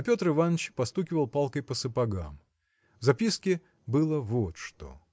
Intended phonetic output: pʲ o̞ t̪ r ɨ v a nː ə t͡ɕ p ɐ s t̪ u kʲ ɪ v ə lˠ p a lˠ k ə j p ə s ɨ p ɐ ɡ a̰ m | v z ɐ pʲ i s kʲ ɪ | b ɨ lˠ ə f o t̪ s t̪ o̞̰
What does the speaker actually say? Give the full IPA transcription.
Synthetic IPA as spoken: pʲ o̞ t̪ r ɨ v a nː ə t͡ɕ p ɐ s t̪ u kʲ ɪ v ə lˠ p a lˠ k ə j p ə s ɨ p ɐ ɡ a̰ m | v z ɐ pʲ i s kʲ ɪ | b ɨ lˠ ə v o t̪ ʂ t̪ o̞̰